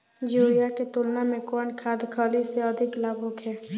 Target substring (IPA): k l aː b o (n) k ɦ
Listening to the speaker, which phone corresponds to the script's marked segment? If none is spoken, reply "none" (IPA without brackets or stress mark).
none